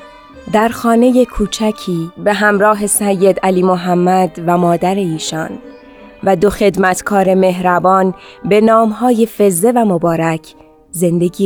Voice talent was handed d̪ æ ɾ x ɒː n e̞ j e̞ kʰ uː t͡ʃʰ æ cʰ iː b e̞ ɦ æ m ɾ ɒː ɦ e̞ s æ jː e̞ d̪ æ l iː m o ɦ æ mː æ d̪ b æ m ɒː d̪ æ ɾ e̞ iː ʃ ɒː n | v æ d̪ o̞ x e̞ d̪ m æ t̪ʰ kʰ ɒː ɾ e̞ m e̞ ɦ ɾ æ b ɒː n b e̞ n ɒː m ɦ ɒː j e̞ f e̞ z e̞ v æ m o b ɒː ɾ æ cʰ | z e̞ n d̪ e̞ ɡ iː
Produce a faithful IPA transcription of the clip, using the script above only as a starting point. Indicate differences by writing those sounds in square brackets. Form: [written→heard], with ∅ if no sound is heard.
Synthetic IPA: d̪ æ ɾ x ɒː n e̞ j e̞ kʰ uː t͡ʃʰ æ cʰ iː b e̞ ɦ æ m ɾ ɒː ɦ e̞ s æ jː e̞ d̪ æ l iː m o ɦ æ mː æ d̪ [b→v] æ m ɒː d̪ æ ɾ e̞ iː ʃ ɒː n | v æ d̪ o̞ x e̞ d̪ m æ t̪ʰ kʰ ɒː ɾ e̞ m e̞ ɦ ɾ æ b ɒː n b e̞ n ɒː m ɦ ɒː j e̞ f e̞ z e̞ v æ m o b ɒː ɾ æ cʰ | z e̞ n d̪ e̞ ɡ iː